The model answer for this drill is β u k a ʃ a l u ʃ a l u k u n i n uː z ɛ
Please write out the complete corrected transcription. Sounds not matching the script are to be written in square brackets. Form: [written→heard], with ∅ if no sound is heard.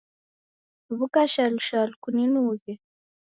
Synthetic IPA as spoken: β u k a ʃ a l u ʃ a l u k u n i n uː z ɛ